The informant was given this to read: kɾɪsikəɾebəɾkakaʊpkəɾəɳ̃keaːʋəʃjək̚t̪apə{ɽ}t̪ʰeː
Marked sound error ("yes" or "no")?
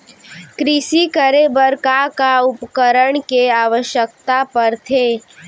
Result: yes